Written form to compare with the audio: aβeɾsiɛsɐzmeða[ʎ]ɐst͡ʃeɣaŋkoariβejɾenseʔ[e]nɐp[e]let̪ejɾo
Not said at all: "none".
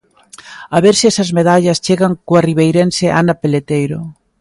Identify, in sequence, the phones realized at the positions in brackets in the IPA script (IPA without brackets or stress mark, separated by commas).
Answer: ʎ, a, e